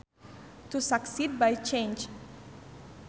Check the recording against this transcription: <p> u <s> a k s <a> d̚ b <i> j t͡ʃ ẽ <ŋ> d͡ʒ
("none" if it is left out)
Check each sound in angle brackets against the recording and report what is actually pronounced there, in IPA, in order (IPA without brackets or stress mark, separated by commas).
t, s, i, a, n